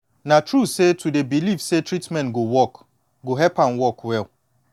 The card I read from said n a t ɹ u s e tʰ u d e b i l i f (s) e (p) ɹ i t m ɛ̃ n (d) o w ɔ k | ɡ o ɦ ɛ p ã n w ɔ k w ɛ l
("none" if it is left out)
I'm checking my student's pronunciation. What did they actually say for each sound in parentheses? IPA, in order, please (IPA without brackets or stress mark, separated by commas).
s, t, ɡ